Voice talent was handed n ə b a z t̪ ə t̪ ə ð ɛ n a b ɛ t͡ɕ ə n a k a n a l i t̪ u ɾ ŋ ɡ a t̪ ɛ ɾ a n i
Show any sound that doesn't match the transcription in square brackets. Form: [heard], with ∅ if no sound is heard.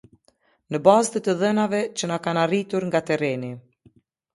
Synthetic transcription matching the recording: n ə b a z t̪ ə t̪ ə ð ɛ n a [v] ɛ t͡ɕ ə n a k a n a [r] i t̪ u ɾ ŋ ɡ a t̪ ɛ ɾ [ɛ] n i